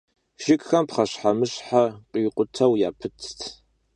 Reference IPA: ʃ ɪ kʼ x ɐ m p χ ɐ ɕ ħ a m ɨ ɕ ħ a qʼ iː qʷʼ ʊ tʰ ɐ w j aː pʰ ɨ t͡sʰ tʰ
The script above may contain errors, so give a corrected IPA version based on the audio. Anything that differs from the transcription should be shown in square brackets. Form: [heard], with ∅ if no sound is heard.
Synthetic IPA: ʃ ɪ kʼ x ɐ m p χ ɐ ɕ ħ a m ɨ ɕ ħ a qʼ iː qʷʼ ʊ tʰ ɐ w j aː pʰ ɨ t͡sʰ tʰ